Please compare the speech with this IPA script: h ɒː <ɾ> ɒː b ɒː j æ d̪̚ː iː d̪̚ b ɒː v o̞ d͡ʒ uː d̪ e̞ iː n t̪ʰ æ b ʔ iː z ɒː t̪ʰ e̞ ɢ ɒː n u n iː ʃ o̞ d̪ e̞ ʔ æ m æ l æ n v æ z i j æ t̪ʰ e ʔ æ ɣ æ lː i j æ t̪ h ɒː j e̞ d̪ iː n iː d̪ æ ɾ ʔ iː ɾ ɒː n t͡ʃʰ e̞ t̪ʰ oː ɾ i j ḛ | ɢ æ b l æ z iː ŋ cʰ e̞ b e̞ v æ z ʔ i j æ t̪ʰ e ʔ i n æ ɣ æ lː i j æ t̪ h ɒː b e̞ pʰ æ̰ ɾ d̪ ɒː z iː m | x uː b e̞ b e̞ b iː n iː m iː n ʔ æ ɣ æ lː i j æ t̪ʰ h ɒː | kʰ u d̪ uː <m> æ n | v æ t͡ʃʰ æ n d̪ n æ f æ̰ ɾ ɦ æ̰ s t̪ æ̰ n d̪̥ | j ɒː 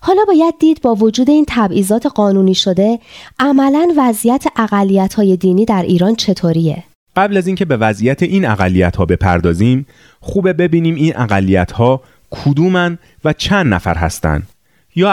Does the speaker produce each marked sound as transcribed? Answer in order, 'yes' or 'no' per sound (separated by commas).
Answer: no, yes